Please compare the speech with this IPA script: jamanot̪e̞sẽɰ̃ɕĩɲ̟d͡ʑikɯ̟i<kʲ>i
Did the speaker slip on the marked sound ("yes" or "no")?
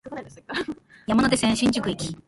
no